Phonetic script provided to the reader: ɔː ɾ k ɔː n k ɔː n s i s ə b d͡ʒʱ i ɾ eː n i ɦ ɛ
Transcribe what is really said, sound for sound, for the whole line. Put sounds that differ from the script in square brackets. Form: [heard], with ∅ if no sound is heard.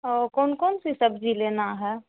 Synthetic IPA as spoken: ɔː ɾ k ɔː n k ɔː n s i s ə b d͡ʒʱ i [l] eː n [a] ɦ ɛ